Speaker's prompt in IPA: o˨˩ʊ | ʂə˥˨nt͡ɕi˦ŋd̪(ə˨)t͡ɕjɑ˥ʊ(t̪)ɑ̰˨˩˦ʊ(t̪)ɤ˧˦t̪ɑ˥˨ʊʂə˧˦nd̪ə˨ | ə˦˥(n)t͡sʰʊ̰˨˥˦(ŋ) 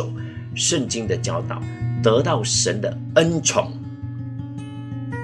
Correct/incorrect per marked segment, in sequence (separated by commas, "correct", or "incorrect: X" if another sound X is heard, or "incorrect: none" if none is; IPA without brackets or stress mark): correct, correct, correct, correct, correct